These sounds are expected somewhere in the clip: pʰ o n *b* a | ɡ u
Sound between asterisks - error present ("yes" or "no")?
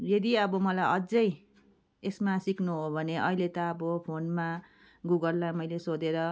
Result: yes